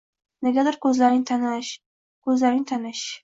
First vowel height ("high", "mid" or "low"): mid